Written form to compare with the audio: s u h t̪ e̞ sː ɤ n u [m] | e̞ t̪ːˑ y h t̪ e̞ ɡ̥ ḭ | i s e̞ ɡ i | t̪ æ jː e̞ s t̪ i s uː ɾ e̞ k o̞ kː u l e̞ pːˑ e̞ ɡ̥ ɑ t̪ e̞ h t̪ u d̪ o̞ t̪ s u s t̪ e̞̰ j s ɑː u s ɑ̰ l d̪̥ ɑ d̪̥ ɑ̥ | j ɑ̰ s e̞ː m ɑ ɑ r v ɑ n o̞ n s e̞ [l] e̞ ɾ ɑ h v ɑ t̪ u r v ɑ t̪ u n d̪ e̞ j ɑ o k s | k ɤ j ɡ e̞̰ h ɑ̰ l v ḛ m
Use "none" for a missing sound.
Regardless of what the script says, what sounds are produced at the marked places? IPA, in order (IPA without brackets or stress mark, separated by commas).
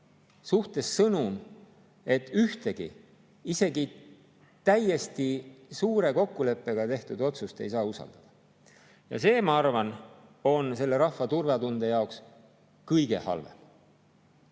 m, lː